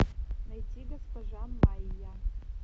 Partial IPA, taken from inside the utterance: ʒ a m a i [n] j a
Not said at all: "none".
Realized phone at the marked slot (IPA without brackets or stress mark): none